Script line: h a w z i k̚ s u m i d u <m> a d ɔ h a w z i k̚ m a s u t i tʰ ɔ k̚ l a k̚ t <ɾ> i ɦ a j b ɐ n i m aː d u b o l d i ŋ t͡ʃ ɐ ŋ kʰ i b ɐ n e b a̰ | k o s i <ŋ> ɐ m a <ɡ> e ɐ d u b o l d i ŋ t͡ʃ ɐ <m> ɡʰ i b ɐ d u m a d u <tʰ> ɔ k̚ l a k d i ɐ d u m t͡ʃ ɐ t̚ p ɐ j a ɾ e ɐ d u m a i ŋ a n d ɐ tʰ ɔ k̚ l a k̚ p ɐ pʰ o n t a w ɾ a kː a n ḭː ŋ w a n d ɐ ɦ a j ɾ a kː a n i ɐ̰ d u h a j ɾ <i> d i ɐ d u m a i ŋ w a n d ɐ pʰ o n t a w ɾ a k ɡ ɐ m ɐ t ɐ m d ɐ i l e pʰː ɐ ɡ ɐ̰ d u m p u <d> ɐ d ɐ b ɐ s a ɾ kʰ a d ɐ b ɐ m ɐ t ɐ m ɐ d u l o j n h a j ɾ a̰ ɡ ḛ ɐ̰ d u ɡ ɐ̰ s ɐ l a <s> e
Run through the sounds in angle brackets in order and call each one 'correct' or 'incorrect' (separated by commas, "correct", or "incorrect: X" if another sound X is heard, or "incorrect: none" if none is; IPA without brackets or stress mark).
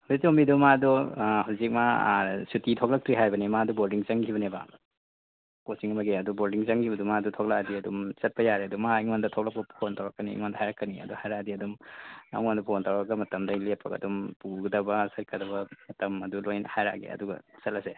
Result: correct, correct, correct, correct, incorrect: ŋ, correct, incorrect: a, incorrect: ɡ, correct